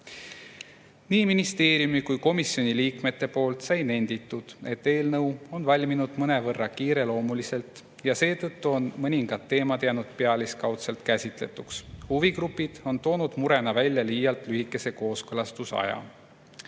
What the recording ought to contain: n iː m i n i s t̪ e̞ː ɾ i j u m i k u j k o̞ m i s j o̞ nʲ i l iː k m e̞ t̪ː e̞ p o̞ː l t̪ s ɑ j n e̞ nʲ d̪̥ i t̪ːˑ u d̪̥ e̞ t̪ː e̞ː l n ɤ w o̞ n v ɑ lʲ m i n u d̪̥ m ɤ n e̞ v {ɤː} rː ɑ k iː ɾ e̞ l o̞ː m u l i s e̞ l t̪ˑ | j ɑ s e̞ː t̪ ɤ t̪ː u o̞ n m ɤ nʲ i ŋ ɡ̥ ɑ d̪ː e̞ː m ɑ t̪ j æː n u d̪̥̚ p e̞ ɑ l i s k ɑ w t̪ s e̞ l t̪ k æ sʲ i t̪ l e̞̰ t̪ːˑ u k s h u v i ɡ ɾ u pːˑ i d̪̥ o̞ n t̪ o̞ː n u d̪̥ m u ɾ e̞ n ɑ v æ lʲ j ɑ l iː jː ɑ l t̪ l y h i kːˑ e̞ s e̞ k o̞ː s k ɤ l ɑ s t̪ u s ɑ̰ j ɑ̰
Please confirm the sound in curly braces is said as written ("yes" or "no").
no